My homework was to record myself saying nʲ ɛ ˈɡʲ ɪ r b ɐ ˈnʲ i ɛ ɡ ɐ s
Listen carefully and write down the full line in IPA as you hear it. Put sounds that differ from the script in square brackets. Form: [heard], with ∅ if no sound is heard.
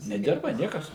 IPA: nʲ ɛ [ˈdʲ] ɪ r b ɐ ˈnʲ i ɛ [k] ɐ s